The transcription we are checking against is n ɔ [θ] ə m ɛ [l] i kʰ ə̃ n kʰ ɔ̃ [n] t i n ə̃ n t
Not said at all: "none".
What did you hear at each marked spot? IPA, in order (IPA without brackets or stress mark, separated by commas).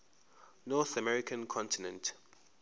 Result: θ, ɹ, n